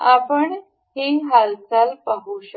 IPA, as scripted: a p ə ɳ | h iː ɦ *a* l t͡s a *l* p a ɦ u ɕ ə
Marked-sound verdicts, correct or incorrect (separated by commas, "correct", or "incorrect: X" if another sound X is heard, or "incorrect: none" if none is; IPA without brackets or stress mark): correct, correct